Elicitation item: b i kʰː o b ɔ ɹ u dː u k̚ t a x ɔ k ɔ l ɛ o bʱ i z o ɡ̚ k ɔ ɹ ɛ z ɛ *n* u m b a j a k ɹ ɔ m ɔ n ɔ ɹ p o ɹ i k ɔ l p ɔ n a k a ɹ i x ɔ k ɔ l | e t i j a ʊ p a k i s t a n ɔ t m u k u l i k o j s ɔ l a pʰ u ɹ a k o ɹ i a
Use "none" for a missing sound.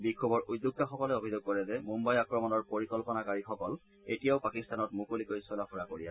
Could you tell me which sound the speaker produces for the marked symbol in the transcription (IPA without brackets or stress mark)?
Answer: m